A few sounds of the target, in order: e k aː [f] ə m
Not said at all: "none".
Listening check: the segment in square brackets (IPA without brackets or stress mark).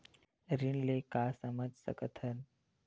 s